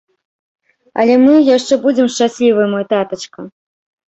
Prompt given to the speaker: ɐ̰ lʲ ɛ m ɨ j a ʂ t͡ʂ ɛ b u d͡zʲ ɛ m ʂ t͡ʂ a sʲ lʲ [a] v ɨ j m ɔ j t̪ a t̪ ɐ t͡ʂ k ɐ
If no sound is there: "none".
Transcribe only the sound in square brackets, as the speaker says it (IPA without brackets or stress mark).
i